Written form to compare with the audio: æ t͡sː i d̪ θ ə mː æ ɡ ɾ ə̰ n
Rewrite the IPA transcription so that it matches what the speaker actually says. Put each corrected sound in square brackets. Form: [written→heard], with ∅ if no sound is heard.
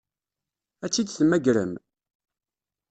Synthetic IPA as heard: æ t͡sː i d̪ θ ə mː æ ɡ ɾ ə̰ [n→m]